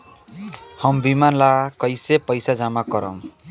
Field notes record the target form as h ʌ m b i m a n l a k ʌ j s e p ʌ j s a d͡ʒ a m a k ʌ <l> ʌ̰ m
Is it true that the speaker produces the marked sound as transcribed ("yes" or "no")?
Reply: no